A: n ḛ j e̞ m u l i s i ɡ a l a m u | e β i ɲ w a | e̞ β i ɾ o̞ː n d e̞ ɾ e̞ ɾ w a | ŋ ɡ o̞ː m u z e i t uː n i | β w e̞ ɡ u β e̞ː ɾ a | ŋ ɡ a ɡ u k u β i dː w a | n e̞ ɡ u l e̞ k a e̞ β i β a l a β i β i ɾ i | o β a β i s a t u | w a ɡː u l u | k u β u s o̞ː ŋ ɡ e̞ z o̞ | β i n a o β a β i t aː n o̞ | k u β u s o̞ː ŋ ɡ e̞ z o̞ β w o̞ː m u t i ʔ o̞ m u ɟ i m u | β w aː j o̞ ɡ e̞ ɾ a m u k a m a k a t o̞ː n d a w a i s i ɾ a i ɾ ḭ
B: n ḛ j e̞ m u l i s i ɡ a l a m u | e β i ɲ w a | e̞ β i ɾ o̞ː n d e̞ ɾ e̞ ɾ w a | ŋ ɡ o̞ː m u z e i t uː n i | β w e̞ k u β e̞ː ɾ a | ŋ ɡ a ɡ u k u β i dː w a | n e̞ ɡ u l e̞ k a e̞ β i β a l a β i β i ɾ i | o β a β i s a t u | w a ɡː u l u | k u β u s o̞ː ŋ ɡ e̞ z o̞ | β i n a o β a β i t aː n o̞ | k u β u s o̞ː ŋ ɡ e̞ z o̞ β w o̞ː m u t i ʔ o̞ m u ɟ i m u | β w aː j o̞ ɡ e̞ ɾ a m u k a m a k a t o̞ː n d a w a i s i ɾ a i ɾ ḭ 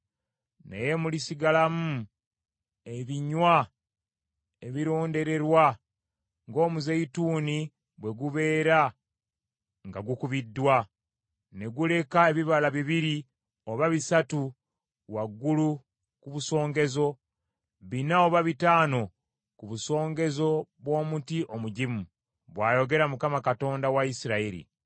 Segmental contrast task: A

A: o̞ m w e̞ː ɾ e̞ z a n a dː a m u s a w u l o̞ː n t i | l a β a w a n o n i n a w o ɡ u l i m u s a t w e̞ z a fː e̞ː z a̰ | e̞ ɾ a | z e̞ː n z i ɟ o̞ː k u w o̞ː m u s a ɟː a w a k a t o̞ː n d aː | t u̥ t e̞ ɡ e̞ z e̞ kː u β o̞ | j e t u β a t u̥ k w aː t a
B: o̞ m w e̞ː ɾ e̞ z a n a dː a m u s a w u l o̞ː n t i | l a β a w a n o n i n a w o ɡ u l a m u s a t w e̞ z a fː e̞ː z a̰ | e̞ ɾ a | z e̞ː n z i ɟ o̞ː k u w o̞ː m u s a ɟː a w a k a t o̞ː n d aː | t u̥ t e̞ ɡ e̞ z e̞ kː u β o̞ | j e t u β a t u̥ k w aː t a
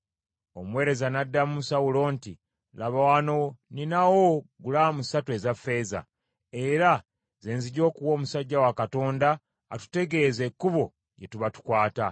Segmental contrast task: B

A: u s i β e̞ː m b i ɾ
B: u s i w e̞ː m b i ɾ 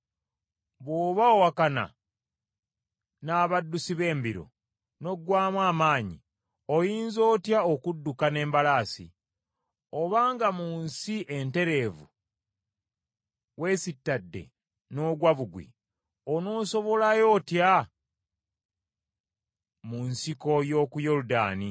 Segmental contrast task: A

